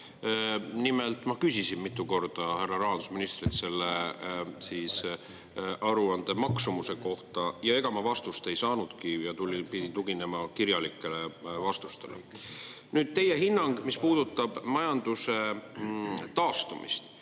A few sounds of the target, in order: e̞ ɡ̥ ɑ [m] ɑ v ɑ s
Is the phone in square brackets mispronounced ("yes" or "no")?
no